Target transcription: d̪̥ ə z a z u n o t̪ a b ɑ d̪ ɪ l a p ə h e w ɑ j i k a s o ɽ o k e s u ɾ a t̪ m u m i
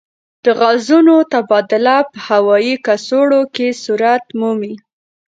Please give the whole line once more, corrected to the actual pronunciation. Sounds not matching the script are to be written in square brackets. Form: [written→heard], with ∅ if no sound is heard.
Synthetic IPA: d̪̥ ə [z→ɣ] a z u n o t̪ a b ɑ d̪ ɪ l a p ə h [e→a] w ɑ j i k a s o ɽ o k e s u ɾ a t̪ m u m i